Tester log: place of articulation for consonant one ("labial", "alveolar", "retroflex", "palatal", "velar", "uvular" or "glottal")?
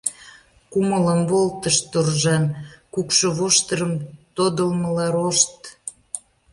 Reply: velar